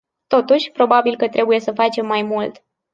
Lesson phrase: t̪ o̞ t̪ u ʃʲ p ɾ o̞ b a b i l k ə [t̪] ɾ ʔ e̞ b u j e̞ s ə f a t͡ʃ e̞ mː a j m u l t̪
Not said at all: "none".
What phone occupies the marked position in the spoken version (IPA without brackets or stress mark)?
t̪